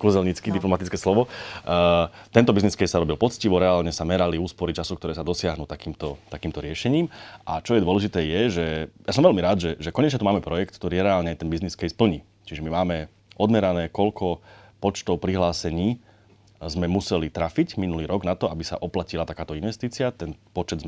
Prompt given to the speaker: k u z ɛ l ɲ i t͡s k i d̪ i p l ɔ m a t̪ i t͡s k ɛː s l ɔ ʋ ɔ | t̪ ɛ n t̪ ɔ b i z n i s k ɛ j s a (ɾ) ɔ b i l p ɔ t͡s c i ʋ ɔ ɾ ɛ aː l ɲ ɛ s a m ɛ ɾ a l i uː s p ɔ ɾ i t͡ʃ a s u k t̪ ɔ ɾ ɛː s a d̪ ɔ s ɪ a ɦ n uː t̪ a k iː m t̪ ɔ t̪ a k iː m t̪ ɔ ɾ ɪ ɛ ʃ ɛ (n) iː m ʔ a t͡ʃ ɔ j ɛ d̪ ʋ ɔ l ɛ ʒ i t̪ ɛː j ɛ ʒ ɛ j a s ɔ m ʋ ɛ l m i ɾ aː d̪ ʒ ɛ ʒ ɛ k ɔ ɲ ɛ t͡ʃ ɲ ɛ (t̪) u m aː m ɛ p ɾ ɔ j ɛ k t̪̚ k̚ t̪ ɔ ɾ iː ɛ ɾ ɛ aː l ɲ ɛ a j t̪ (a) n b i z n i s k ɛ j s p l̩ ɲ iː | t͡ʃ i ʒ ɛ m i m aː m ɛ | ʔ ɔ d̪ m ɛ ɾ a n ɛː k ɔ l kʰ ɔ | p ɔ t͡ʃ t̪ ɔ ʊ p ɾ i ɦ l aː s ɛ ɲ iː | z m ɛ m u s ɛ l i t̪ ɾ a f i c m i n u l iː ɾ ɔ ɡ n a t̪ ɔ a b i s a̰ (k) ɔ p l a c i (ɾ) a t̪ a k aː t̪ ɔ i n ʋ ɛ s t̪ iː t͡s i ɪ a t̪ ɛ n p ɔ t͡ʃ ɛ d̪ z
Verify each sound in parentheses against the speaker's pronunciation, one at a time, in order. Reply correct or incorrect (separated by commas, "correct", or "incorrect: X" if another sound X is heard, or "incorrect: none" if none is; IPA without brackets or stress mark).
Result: correct, incorrect: ɲ, correct, incorrect: ɛ, incorrect: ʔ, incorrect: l